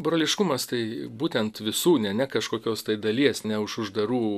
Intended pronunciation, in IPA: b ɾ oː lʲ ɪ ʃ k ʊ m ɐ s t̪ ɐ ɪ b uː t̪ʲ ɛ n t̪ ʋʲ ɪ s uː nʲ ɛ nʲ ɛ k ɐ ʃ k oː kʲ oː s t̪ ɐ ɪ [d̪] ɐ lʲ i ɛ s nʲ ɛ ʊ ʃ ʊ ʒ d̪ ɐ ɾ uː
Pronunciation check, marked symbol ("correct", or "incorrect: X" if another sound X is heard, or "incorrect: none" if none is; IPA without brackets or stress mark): correct